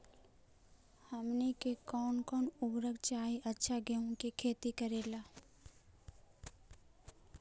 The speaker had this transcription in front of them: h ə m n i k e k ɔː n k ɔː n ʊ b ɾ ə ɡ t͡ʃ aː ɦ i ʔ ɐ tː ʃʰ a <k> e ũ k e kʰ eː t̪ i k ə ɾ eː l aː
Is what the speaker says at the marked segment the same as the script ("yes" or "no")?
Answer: no